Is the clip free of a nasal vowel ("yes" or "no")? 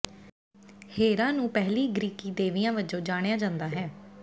no